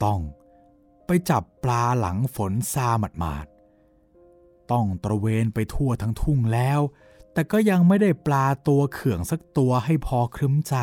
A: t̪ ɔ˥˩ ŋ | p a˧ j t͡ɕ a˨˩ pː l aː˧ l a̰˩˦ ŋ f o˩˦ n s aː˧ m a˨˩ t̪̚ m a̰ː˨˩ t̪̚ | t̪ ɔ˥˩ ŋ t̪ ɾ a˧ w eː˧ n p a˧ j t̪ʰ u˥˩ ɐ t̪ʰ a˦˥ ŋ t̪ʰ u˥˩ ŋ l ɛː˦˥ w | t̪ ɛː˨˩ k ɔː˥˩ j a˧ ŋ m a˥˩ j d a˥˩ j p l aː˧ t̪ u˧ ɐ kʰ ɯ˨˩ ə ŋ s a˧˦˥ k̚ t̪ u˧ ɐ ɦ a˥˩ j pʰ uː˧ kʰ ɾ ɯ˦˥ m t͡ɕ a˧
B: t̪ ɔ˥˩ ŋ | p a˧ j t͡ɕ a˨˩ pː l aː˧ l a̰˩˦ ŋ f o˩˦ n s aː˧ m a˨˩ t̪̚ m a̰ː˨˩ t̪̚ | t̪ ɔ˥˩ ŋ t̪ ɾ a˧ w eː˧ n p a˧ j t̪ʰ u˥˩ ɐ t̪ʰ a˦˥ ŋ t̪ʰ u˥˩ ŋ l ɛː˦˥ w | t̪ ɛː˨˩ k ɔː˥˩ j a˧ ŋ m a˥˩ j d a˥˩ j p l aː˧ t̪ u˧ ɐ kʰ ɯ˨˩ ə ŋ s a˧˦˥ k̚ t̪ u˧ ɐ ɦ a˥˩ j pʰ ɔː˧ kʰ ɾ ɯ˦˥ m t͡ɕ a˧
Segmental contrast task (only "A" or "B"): B